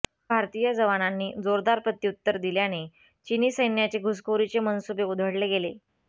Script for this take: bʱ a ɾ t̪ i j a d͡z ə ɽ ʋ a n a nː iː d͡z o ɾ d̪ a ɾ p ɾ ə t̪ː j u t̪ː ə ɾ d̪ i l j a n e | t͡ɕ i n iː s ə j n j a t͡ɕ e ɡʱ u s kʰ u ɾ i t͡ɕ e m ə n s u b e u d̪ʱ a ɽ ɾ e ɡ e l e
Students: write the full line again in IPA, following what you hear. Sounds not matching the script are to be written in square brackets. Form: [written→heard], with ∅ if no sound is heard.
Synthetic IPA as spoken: bʱ a ɾ t̪ i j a d͡z ə [ɽ→∅] ʋ a n a nː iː d͡z o ɾ d̪ a ɾ p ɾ ə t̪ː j u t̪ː ə ɾ d̪ i l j a n e | t͡ɕ i n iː s ə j n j a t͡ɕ e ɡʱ u s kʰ [u→o] ɾ i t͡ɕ e m ə n s u b e u d̪ʱ [a→ə] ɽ [ɾ→l] e ɡ e l e

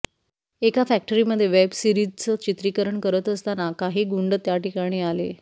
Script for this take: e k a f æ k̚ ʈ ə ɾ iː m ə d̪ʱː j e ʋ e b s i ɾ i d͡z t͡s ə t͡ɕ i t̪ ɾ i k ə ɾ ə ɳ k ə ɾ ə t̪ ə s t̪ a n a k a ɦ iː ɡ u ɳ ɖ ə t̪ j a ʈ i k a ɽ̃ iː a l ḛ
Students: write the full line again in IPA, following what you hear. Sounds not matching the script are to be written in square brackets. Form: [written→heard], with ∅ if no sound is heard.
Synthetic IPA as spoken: e k a f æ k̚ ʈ ə ɾ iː m ə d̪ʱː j e ʋ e b s i ɾ i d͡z t͡s ə t͡ɕ i t̪ ɾ i k ə ɾ ə ɳ k ə ɾ ə t̪ ə s t̪ a n a k a ɦ iː ɡ u ɳ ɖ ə t̪ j a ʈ i k a ɽ̃ iː a l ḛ

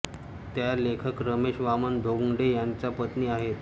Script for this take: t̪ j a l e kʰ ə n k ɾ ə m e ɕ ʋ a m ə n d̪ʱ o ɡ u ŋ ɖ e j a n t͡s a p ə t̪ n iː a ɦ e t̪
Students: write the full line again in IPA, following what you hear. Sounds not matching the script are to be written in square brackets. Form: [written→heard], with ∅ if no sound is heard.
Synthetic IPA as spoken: t̪ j a l e kʰ ə [n→∅] k ɾ ə m e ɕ ʋ a m ə n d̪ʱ o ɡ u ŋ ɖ e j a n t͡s a p ə t̪ n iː a ɦ e t̪

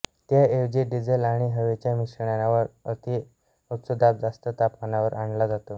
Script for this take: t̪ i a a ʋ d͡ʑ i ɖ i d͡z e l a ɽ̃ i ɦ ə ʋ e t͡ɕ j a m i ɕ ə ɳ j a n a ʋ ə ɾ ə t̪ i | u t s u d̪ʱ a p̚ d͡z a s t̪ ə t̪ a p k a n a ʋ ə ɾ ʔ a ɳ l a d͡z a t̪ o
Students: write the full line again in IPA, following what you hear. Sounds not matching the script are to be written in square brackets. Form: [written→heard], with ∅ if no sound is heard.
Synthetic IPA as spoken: t̪ [i→j] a [a→e] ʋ d͡ʑ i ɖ i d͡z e l a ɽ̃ i ɦ ə ʋ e t͡ɕ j a m i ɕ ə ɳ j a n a ʋ ə ɾ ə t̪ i | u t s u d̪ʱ a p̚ d͡z a s t̪ ə t̪ a p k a n a ʋ ə ɾ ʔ a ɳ l a d͡z a t̪ o

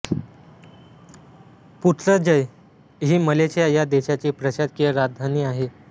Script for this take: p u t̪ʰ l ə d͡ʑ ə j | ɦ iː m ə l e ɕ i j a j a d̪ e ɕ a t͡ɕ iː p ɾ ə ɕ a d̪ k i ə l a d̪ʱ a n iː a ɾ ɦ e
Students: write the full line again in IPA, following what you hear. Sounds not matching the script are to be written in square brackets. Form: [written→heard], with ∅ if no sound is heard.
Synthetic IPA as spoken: p u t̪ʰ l ə d͡ʑ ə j | ɦ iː m ə l e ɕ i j a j a d̪ e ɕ a t͡ɕ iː p ɾ ə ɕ a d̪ k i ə [l→ɾ] a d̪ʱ a n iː a [ɾ→∅] ɦ e

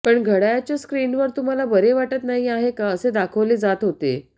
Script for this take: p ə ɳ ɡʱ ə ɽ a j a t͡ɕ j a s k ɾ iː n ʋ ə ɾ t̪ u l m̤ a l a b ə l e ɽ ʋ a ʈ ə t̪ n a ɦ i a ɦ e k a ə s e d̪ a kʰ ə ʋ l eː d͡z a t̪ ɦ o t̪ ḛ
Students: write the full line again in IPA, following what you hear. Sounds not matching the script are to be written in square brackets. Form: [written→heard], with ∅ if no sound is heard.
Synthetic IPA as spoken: p ə ɳ ɡʱ ə ɽ a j a t͡ɕ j a s k ɾ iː n ʋ ə ɾ t̪ u [l→∅] m̤ a l a b ə [l→ɾ] e [ɽ→∅] ʋ a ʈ ə t̪ n a ɦ i a ɦ e k a ə s e d̪ a kʰ ə ʋ l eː d͡z a t̪ ɦ o t̪ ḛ

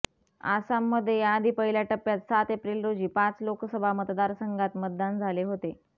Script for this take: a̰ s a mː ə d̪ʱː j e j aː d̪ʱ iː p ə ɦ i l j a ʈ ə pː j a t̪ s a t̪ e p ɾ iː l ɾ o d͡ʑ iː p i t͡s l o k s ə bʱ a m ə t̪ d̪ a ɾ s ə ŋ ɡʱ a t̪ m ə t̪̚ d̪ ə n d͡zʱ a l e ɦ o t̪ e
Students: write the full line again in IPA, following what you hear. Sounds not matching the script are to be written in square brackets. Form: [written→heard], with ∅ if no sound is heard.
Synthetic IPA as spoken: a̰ s a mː ə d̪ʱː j e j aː d̪ʱ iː p ə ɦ i l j a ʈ ə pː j a t̪ s a t̪ e p ɾ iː l ɾ o d͡ʑ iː p [i→a] t͡s l o k s ə bʱ a m ə t̪ d̪ a ɾ s ə ŋ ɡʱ a t̪ m ə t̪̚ d̪ [ə→a] n d͡zʱ a l e ɦ o t̪ e

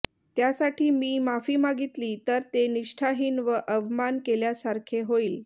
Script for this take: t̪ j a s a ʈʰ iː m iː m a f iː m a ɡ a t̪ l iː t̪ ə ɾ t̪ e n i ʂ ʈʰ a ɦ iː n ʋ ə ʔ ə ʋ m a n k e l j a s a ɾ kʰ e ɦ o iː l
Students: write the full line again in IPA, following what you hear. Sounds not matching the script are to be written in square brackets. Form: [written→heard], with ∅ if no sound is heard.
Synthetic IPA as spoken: t̪ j a s a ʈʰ iː m iː m a f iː m a ɡ [a→i] t̪ l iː t̪ ə ɾ t̪ e n i ʂ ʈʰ a ɦ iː n ʋ ə ʔ ə ʋ m a n k e l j a s a ɾ kʰ e ɦ o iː l

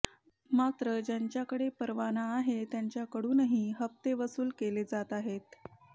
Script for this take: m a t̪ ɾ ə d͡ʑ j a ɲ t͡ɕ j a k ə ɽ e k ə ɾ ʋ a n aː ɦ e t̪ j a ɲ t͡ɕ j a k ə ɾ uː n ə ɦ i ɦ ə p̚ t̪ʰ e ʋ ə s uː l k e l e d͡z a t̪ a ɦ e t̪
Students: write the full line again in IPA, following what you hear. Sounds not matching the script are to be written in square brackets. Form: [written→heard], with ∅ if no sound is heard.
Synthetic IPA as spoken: m a t̪ ɾ ə d͡ʑ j a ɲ t͡ɕ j a k ə ɽ e [k→p] ə ɾ ʋ a n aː ɦ e t̪ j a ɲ t͡ɕ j a k ə [ɾ→ɽ] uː n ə ɦ i ɦ ə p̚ [t̪ʰ→t̪] e ʋ ə s uː l k e l e d͡z a t̪ a ɦ e t̪

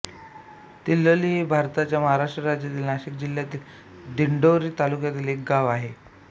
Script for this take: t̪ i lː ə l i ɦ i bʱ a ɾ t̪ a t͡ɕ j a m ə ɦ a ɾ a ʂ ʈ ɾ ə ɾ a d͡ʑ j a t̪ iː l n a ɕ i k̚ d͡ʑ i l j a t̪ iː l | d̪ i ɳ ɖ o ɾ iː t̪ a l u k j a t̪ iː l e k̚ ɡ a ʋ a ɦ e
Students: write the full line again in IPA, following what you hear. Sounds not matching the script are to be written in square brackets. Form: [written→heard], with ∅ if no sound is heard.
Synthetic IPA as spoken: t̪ i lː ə l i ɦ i bʱ a ɾ t̪ a t͡ɕ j a m ə ɦ a ɾ a ʂ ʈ ɾ ə ɾ a d͡ʑ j a t̪ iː l n a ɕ i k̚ d͡ʑ i l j a t̪ iː l | d̪ i ɳ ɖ o ɾ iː t̪ a l u k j a t̪ iː l e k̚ ɡ a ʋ a ɦ e

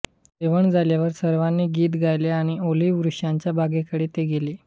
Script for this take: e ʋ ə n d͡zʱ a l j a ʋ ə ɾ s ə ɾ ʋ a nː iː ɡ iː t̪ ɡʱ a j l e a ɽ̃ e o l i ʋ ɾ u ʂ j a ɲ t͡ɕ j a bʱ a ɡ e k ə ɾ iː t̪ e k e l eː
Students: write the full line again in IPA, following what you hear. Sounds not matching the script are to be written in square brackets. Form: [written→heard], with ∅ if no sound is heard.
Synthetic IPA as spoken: e ʋ ə [n→ɳ] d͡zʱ a l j a ʋ ə ɾ s ə ɾ ʋ a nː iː ɡ iː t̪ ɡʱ a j l e a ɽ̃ [e→i] o l i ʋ ɾ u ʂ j a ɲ t͡ɕ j a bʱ a ɡ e k ə [ɾ→ɽ] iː t̪ e [k→ɡ] e l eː

